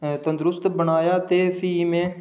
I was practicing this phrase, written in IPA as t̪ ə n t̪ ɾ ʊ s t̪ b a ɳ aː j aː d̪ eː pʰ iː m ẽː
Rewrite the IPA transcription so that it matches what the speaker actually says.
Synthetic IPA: t̪ ə n d̪ ɾ ʊ s t̪ b ə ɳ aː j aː t̪ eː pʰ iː m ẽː